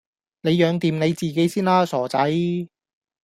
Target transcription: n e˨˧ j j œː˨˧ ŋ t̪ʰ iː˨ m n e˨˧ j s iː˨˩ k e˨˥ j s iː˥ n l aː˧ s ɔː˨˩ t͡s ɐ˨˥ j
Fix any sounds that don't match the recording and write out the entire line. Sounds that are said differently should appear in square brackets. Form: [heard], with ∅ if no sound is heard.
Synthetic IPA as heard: n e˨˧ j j œː˨˧ ŋ [t̪] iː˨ m n e˨˧ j [t͡s] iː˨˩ k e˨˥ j s iː˥ n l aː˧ s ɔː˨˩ t͡s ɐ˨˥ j